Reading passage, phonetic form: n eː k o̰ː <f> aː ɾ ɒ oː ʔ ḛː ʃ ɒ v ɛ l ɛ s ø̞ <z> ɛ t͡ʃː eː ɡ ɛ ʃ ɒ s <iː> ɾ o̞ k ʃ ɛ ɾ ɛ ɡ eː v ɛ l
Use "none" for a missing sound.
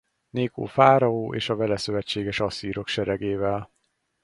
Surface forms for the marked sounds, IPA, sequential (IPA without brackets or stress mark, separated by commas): f, v, iː